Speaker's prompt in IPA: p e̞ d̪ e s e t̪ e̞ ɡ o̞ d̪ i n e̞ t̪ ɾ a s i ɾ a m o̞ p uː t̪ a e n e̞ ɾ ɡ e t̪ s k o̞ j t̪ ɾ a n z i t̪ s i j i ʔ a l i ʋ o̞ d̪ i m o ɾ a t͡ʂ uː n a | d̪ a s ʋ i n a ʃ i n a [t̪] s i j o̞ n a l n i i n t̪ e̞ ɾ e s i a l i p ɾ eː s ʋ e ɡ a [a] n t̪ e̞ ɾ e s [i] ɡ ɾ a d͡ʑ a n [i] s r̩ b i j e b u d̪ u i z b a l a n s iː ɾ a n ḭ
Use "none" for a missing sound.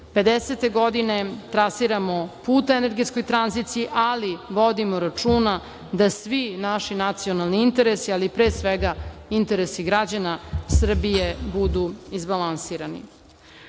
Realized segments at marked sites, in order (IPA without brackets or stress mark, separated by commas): t̪, i, i, a